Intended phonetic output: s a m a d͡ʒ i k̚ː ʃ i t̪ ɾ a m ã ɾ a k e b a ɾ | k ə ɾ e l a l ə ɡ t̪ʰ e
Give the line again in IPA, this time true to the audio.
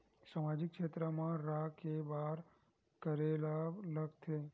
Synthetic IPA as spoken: s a m a d͡ʒ i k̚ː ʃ e t̪ ɾ ə m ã ɾ a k e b a ɾ | k ə ɾ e l a l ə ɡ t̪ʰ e